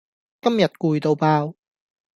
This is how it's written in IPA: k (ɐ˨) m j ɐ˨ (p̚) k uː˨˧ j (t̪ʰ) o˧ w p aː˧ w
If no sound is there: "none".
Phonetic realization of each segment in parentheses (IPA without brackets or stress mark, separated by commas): ɐ˥, t̚, t̪